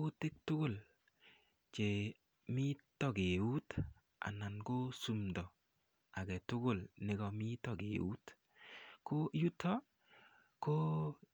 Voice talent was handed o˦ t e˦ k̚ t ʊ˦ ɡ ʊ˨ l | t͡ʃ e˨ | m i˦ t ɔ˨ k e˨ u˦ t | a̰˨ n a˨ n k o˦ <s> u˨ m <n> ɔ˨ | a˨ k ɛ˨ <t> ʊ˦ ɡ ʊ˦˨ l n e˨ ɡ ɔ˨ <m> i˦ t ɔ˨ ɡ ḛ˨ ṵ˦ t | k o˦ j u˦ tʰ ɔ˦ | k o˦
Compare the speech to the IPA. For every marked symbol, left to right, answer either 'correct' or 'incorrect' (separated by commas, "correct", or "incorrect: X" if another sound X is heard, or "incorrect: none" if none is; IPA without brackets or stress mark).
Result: correct, incorrect: d, correct, correct